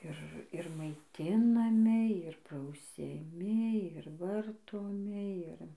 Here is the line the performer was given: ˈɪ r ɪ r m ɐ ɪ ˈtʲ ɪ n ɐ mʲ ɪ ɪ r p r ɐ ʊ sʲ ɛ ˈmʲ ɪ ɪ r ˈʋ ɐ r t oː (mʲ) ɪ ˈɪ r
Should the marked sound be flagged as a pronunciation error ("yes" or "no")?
no